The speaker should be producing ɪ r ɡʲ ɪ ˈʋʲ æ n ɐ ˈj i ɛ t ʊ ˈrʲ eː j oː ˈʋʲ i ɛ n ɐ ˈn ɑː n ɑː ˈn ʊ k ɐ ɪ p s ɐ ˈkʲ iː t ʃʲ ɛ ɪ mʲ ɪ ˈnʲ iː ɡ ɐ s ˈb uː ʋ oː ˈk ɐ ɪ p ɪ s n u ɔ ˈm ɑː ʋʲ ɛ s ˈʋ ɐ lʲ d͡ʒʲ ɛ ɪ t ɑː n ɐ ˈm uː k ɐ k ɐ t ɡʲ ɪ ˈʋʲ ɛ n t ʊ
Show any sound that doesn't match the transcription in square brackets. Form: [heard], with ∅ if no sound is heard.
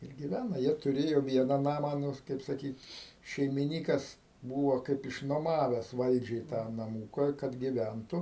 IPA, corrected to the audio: ɪ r ɡʲ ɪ ˈʋʲ æ n ɐ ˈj i ɛ t ʊ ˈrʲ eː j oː ˈʋʲ i ɛ n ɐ ˈn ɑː [m] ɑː ˈn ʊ k ɐ ɪ p s ɐ ˈkʲ iː t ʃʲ ɛ ɪ mʲ ɪ ˈnʲ iː [k] ɐ s ˈb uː ʋ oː ˈk ɐ ɪ p ɪ [ʃ] n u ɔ ˈm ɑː ʋʲ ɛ s ˈʋ ɐ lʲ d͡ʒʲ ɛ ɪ t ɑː n ɐ ˈm uː k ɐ k ɐ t ɡʲ ɪ ˈʋʲ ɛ n t ʊ